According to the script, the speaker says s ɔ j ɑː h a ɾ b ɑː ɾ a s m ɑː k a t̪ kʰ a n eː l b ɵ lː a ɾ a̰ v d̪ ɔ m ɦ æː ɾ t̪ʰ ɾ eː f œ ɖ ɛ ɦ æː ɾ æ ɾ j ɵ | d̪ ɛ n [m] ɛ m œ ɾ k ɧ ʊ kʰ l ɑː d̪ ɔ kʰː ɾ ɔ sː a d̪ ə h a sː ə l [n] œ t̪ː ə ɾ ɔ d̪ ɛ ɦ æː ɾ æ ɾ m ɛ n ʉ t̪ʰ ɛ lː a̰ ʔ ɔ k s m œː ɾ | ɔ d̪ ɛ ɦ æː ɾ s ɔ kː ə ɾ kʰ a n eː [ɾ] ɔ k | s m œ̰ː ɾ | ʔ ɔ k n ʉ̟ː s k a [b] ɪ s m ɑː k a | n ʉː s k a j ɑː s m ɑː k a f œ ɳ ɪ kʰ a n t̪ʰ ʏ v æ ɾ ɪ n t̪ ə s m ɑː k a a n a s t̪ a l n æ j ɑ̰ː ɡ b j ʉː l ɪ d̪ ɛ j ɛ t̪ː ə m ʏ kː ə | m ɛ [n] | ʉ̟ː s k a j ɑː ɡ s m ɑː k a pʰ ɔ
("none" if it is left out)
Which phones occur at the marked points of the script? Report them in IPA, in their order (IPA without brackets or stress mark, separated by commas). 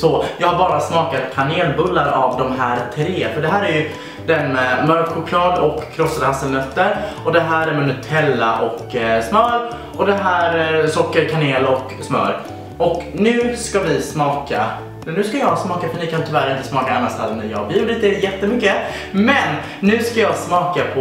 m, n, l, v, nː